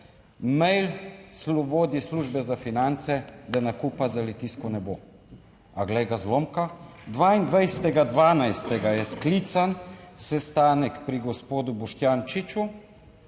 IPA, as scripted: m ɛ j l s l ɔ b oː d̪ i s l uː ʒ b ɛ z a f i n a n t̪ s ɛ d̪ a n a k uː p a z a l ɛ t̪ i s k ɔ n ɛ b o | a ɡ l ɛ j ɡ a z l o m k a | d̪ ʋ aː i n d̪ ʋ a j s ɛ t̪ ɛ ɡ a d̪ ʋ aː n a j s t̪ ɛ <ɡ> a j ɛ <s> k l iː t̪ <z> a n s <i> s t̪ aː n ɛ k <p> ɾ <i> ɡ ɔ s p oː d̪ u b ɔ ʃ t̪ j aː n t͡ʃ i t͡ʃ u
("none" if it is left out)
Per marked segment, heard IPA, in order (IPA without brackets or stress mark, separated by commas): ɡ, s, s, ɛ, p, i